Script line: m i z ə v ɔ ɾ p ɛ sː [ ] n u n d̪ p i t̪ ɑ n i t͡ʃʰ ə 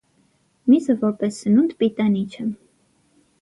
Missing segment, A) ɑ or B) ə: B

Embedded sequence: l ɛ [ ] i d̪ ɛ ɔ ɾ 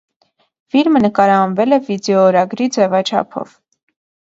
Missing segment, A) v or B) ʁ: A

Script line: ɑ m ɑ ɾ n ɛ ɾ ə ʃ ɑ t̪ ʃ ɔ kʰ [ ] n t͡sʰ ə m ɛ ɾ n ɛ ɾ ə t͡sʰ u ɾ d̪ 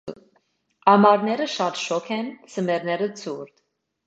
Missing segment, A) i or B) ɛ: B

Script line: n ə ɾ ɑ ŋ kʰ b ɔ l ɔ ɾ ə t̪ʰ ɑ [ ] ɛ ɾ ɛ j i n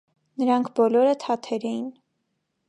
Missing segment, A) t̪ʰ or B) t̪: A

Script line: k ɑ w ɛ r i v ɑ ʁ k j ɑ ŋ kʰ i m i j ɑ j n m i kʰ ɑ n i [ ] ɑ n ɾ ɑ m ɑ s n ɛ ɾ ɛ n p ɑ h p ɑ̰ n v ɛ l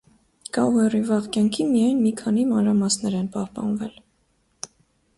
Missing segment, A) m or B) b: A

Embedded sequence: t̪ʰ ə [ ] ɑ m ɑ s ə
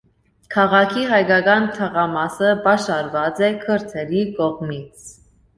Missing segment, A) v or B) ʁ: B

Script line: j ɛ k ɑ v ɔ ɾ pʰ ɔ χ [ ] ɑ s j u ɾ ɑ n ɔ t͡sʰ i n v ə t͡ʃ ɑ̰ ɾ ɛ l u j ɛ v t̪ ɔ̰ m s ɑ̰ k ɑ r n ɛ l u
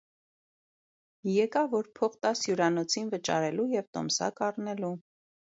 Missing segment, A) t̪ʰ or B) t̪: B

